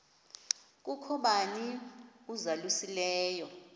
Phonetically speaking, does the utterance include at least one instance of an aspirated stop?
yes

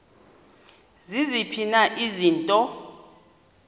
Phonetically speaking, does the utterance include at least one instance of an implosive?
no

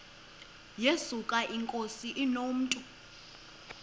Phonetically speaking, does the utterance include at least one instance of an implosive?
no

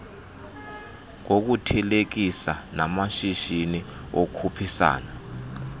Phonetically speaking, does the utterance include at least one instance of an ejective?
no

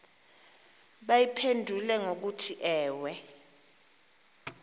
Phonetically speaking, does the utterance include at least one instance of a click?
no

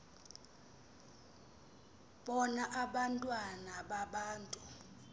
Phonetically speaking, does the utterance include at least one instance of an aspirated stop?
no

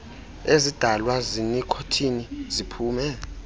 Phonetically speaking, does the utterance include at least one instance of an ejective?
no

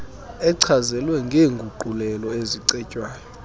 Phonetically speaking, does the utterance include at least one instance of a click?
yes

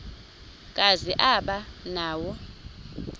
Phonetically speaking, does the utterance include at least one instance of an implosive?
yes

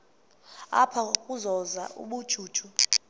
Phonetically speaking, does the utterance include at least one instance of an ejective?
yes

